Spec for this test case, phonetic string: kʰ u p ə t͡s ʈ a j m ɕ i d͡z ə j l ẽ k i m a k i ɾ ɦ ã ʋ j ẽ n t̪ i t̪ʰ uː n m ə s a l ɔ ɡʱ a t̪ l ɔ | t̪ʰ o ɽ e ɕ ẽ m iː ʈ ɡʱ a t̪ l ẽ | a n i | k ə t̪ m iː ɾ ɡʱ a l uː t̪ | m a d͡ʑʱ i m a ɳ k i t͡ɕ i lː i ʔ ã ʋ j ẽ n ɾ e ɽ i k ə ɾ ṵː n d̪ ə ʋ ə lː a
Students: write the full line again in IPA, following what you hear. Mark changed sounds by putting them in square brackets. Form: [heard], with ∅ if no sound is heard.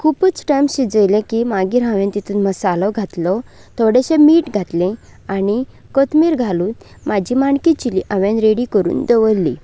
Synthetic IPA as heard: kʰ u p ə t͡s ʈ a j m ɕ i d͡z ə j l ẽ k i m a [ɡ] i ɾ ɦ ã ʋ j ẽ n t̪ i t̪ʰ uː n m ə s a l ɔ ɡʱ a t̪ l ɔ | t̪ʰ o ɽ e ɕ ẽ m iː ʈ ɡʱ a t̪ l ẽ | a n i | k ə t̪ m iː ɾ ɡʱ a l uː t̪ | m a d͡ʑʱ i m a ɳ k i t͡ɕ i [l] i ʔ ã ʋ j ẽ n ɾ e ɽ i k ə ɾ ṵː n d̪ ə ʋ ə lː [i]

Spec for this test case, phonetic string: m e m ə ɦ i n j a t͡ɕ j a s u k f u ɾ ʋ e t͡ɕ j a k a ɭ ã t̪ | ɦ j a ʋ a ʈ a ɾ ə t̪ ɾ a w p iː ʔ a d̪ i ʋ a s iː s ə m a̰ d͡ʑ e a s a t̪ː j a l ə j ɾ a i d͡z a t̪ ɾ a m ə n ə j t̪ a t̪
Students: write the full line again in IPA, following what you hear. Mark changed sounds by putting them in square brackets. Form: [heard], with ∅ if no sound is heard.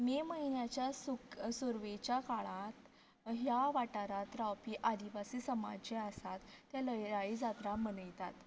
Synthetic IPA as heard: m e m ə ɦ i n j a t͡ɕ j a s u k [s] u ɾ ʋ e t͡ɕ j a k a ɭ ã t̪ | ɦ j a ʋ a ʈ a ɾ [a] t̪ ɾ a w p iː ʔ a d̪ i ʋ a s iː s ə m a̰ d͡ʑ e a s a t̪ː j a l ə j ɾ a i d͡z a t̪ ɾ a m ə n ə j t̪ a t̪

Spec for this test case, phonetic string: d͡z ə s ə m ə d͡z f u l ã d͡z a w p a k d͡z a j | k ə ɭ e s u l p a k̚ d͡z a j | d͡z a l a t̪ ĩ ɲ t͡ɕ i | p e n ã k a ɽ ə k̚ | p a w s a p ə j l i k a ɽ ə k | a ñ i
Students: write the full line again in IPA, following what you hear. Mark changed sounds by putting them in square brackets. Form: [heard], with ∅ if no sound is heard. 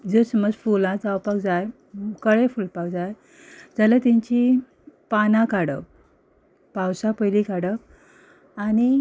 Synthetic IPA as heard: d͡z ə s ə m ə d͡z f u l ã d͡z a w p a k d͡z a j | k ə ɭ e [f] u l p a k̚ d͡z a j | d͡z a l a t̪ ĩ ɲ t͡ɕ i | p [a] n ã k a ɽ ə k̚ | p a w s a p ə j l i k a ɽ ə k | a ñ i

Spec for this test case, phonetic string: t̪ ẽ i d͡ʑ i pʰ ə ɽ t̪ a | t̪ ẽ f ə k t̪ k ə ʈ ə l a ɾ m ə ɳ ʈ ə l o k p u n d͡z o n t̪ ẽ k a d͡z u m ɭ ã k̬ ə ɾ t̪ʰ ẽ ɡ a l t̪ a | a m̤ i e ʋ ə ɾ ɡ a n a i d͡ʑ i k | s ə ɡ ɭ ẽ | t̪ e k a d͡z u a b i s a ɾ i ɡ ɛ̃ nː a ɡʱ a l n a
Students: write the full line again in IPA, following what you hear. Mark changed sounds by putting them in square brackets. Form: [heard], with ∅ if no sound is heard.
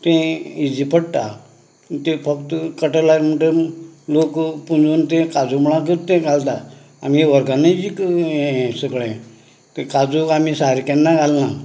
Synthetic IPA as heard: t̪ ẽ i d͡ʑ i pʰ ə ɽ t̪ a | t̪ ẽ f ə k t̪ k ə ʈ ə l a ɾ m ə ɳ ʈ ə l o k p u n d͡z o n t̪ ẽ k a d͡z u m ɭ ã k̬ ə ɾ [t̪] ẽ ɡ a l t̪ a | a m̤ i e ʋ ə ɾ ɡ a n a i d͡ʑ i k | s ə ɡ ɭ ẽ | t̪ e k a d͡z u a [m] i s a ɾ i [k] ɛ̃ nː a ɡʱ a l n a

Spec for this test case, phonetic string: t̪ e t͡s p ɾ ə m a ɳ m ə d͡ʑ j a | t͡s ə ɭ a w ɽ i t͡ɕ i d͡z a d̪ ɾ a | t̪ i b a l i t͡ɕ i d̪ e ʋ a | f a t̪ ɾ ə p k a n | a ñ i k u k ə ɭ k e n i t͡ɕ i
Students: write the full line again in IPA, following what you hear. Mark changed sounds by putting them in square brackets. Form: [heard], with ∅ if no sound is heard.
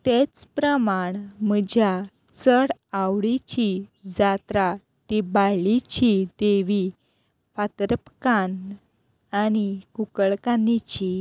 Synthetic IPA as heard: t̪ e t͡s p ɾ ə m a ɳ m ə d͡ʑ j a | t͡s ə [ɽ] a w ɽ i t͡ɕ i d͡z a [t̪] ɾ a | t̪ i b a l i t͡ɕ i d̪ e ʋ [i] | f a t̪ ɾ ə p k a n | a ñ i k u k ə ɭ k [a] n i t͡ɕ i

